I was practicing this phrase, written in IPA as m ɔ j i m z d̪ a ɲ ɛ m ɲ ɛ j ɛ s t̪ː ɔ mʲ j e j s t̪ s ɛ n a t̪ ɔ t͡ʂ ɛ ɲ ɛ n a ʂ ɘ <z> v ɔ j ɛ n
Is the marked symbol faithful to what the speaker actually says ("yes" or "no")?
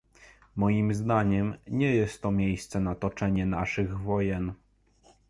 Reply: no